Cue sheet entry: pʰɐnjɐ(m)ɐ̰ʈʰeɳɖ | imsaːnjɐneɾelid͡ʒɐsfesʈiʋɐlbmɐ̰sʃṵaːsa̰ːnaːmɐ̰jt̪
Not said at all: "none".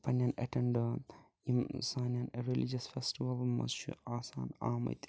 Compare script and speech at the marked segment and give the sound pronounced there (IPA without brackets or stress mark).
n